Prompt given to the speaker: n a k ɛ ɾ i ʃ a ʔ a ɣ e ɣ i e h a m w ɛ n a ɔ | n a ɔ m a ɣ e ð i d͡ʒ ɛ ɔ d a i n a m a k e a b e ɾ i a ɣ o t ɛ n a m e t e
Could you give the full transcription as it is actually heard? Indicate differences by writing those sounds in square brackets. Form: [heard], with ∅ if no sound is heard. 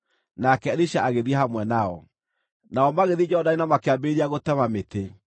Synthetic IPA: n a k ɛ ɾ i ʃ a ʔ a ɣ e [ð] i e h a m w ɛ n a ɔ | n a ɔ m a ɣ e ð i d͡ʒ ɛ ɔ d a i n a m a k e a b e ɾ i a ɣ o t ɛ [m] a m e t e